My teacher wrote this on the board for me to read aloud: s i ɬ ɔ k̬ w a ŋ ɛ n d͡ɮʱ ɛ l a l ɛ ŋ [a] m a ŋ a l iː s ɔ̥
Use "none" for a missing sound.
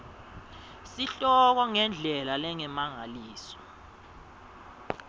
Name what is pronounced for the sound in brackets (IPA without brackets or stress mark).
ɛ